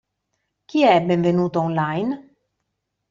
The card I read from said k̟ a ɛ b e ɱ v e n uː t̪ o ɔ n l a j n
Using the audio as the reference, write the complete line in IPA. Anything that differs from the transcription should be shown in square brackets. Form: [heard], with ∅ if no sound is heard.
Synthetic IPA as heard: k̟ [i] ɛ b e ɱ v e n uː t̪ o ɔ n l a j n